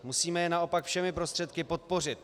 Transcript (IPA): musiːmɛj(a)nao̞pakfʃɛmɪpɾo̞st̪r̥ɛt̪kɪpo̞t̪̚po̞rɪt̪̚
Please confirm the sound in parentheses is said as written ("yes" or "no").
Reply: no